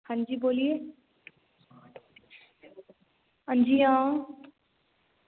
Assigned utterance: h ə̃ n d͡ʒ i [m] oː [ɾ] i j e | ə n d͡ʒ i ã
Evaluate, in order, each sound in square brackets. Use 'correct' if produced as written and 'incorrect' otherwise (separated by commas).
incorrect, incorrect